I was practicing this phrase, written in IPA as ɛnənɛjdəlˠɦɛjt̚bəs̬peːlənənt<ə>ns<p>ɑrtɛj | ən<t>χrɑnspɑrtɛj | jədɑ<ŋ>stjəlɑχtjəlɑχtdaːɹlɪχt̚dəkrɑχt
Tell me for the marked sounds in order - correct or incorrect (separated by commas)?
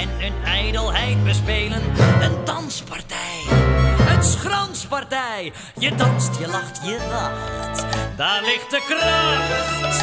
incorrect, correct, incorrect, incorrect